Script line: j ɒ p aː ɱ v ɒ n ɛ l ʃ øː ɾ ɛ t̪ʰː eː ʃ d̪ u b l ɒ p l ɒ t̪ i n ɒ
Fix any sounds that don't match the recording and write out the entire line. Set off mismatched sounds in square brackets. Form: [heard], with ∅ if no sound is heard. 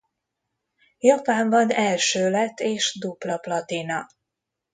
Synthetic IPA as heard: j ɒ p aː ɱ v ɒ n ɛ l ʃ øː [l] ɛ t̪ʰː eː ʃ d̪ u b l ɒ p l ɒ t̪ i n ɒ